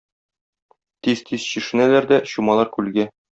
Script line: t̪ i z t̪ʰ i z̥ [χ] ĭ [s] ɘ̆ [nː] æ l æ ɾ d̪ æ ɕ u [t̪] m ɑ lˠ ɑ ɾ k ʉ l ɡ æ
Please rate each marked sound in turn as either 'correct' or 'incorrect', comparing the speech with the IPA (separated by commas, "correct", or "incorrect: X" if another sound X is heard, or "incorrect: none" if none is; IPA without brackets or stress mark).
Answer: incorrect: ɕ, incorrect: ʃ, incorrect: n, incorrect: none